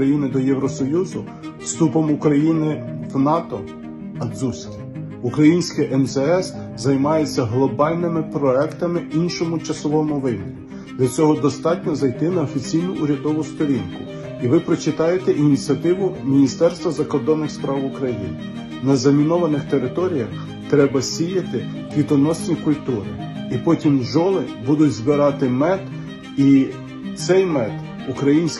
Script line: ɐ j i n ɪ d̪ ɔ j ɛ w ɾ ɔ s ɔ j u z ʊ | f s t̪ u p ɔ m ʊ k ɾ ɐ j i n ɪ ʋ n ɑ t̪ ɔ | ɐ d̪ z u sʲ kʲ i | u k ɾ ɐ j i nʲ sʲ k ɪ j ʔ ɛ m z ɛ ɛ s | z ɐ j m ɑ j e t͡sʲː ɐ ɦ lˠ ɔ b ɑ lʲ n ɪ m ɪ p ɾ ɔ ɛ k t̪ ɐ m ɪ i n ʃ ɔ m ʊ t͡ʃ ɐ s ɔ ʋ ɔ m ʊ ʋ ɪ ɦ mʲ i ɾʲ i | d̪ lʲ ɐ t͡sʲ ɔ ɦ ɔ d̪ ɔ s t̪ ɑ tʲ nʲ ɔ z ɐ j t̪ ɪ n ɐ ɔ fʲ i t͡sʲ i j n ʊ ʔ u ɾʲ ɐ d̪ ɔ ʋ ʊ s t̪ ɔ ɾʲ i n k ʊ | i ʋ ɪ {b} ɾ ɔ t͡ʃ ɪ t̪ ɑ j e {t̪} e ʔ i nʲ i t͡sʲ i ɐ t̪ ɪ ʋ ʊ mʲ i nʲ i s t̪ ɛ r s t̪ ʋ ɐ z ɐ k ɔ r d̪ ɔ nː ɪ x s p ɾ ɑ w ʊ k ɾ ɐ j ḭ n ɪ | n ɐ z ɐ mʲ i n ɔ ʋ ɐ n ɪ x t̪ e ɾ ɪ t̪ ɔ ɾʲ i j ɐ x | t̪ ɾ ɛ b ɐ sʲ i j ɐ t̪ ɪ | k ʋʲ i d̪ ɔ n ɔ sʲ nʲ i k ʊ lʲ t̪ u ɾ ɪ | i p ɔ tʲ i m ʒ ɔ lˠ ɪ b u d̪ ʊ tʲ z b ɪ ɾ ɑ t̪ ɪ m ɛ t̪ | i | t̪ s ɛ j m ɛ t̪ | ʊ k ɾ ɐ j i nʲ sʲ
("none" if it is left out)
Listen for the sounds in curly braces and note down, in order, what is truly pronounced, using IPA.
p, t̪

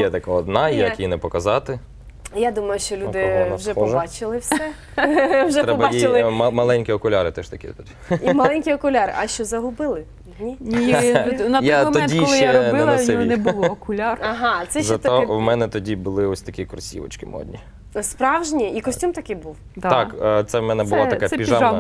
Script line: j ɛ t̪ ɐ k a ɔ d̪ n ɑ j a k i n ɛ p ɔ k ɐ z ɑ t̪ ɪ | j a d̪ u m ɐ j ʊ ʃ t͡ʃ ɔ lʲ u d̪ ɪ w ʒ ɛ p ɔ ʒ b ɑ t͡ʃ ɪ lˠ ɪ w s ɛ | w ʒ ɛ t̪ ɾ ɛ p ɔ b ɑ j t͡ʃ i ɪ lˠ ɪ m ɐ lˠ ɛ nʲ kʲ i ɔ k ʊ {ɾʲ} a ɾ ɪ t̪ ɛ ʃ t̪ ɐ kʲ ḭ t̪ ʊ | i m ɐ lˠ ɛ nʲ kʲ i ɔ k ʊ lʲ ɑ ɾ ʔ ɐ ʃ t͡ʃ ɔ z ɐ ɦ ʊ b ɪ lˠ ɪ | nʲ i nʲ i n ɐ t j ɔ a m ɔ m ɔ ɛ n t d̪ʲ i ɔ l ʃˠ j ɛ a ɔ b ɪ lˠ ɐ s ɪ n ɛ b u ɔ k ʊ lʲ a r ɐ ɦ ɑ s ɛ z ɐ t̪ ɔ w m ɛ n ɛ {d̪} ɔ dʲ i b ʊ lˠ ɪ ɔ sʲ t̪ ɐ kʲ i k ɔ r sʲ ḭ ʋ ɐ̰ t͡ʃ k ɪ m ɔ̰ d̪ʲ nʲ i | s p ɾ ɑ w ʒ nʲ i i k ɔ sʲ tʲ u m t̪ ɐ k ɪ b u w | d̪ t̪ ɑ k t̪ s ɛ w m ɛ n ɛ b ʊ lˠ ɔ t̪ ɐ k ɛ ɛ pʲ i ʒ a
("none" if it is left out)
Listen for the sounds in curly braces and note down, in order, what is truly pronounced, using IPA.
lʲ, t̪

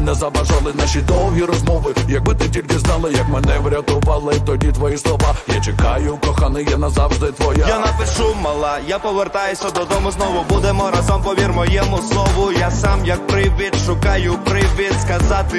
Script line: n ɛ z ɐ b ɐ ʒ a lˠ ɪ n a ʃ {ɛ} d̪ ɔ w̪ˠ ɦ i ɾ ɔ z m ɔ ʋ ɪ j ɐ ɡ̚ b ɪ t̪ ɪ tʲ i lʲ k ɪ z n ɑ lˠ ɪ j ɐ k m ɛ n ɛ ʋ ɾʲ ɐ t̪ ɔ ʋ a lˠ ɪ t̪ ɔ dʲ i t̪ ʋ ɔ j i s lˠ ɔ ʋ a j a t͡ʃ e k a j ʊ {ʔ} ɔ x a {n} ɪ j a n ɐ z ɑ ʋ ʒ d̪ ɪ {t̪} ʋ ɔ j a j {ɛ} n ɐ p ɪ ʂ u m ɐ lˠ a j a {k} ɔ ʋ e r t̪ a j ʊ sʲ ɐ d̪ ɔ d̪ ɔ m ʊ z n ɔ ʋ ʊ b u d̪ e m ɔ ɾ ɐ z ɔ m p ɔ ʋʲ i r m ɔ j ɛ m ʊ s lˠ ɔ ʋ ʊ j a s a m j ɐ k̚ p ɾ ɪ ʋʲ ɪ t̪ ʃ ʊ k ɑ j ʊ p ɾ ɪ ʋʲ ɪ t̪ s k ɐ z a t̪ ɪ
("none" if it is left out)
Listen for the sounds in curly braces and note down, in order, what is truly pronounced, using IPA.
i, k, n, t̪, a, p

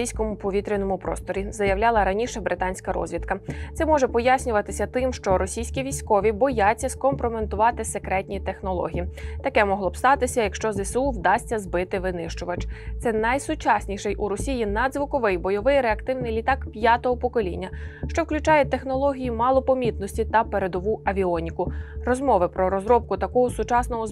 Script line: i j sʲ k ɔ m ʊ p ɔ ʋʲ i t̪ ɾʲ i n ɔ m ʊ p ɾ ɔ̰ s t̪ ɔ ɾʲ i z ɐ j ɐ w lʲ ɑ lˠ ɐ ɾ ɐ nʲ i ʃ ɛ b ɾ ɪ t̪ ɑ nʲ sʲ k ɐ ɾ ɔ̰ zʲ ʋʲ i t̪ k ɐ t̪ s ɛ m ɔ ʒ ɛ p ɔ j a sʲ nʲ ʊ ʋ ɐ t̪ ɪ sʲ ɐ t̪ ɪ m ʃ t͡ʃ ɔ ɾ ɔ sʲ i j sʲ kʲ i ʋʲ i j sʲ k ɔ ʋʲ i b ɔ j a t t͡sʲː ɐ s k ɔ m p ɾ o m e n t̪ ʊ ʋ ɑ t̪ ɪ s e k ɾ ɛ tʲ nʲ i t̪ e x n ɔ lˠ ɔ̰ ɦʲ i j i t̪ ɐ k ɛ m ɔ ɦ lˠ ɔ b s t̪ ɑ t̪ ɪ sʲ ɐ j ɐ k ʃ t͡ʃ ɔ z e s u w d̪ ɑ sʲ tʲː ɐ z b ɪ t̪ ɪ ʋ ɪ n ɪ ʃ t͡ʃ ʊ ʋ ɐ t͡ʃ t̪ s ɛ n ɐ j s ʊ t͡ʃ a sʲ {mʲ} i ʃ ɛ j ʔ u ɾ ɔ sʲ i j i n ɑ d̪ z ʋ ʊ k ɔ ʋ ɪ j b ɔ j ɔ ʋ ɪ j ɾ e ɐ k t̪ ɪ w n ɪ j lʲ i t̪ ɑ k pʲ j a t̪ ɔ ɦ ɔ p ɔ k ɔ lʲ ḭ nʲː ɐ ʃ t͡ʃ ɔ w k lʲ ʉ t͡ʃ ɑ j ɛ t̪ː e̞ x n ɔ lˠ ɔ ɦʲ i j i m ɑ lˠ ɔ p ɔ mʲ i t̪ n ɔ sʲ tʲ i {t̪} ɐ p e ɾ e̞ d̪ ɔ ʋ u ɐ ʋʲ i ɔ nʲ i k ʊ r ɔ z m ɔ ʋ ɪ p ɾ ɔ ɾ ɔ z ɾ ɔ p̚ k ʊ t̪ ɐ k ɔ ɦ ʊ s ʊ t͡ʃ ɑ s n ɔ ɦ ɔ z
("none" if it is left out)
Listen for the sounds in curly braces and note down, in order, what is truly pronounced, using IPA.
nʲ, t̪

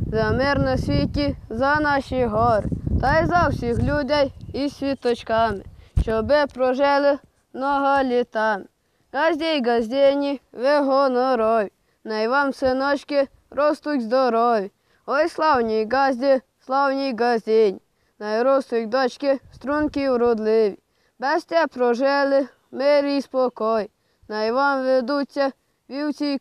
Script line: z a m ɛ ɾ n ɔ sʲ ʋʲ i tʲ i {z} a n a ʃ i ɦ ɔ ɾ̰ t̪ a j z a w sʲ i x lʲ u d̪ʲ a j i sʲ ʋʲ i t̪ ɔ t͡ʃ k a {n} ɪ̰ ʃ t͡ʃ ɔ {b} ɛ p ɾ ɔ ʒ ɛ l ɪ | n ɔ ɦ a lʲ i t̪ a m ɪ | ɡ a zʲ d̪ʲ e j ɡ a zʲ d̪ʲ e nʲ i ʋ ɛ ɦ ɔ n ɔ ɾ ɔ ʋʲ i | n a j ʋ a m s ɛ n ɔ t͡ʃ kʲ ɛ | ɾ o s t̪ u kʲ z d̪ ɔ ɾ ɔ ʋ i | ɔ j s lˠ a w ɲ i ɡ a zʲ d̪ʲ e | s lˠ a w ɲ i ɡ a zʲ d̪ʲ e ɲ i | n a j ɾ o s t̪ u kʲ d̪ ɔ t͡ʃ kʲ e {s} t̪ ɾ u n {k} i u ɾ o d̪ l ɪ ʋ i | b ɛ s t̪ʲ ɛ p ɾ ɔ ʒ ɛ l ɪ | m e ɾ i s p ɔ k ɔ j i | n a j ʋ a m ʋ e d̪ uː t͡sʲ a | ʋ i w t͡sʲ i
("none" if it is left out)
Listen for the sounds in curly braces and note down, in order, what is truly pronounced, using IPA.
z, m, b, s, k

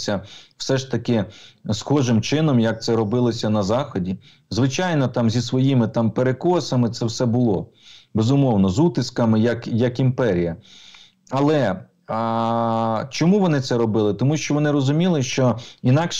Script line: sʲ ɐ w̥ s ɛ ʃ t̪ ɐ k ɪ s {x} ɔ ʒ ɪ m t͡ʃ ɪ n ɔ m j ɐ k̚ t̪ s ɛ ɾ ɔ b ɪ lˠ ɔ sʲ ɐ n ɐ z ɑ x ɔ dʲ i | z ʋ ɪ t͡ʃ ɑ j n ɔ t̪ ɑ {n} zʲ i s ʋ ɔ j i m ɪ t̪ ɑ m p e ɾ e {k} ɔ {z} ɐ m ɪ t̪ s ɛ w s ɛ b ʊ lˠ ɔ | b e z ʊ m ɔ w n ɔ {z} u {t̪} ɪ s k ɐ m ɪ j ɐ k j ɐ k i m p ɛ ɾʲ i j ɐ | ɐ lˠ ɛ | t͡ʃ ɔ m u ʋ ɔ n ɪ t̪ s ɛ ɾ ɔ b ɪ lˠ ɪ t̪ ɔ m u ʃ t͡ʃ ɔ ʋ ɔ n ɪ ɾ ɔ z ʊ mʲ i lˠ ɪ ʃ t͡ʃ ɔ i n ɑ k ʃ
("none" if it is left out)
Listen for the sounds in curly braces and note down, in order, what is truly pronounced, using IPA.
x, m, k, s, z, t̪

